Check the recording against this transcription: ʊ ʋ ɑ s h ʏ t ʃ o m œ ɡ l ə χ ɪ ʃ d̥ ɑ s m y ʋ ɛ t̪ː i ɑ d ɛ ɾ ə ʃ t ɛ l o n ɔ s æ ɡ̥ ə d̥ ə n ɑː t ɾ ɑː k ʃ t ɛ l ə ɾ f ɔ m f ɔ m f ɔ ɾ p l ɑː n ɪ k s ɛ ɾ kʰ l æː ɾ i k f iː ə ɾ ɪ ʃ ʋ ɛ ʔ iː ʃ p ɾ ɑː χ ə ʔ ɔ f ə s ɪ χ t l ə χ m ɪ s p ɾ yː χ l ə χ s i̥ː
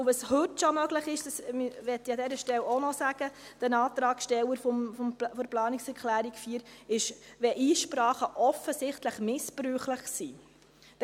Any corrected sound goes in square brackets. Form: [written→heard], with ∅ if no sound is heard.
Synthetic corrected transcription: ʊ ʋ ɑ s h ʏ t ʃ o m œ ɡ l ə χ ɪ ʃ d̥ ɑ s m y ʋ ɛ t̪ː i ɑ d ɛ ɾ ə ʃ t ɛ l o n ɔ s æ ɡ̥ ə d̥ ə n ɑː t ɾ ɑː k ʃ t ɛ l ə ɾ f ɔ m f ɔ m f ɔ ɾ p l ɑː n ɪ k s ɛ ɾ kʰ l æː ɾ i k f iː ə ɾ ɪ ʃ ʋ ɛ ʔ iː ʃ p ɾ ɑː χ ə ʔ ɔ f ə s ɪ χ t l ə χ m ɪ s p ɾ yː χ l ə χ s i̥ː